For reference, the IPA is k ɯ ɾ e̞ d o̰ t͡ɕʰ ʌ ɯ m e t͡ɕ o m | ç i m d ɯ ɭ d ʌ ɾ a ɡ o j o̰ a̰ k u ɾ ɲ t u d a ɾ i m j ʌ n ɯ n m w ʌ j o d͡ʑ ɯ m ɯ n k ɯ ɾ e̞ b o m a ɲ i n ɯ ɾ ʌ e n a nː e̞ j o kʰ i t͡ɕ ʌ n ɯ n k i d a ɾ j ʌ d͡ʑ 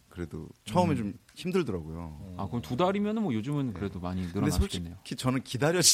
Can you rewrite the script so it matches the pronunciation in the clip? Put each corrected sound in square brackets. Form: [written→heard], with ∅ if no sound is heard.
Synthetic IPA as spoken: k ɯ ɾ e̞ d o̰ t͡ɕʰ ʌ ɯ m e t͡ɕ o m | ç i m d ɯ ɭ d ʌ ɾ a ɡ o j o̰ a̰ k [u→ɯ] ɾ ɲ t u d a ɾ i m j ʌ n ɯ n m w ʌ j o d͡ʑ ɯ m ɯ n k ɯ ɾ e̞ [b→d] o m a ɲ i n ɯ ɾ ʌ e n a nː e̞ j o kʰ i t͡ɕ ʌ n ɯ n k i d a ɾ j ʌ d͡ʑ